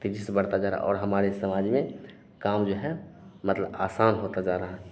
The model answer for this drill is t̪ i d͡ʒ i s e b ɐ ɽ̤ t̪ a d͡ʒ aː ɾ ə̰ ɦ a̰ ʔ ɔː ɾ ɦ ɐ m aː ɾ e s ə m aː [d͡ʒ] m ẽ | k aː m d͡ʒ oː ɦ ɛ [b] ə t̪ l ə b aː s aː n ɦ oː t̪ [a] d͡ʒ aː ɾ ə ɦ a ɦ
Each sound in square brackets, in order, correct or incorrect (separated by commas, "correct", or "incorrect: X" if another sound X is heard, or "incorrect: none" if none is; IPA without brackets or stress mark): correct, incorrect: m, correct